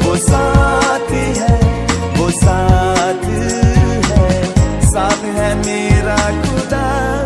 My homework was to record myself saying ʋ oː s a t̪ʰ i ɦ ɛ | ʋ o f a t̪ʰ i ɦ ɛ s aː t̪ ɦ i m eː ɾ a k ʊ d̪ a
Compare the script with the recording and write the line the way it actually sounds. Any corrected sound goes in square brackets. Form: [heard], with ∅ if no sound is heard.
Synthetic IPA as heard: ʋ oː s a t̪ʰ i ɦ ɛ | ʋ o [s] a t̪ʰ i ɦ ɛ s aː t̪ ɦ [ɛ] m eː ɾ a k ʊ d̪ a